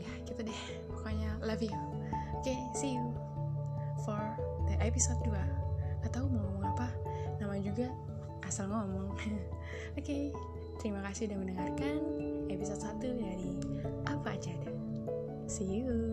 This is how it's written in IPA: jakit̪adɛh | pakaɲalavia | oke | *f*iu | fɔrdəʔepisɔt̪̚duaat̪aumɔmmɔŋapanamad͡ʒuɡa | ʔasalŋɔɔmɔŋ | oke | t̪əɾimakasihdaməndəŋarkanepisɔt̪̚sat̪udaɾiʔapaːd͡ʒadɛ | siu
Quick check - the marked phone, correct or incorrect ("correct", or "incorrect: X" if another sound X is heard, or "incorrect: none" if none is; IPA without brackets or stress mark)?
incorrect: s